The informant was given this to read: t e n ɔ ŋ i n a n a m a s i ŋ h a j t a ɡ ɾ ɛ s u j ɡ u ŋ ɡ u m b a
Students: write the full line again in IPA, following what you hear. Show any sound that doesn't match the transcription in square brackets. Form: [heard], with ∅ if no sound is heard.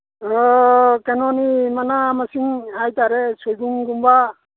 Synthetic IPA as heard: [k] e n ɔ [n] i [m] a n a m a s i ŋ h a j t a [∅] ɾ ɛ s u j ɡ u ŋ ɡ u m b a